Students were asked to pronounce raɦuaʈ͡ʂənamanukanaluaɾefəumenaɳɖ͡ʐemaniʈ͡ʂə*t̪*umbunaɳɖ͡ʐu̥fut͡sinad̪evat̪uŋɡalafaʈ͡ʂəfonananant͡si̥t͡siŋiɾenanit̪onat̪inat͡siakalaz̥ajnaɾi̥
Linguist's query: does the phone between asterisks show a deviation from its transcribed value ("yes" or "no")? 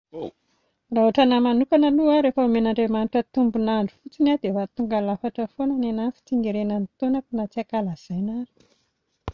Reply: no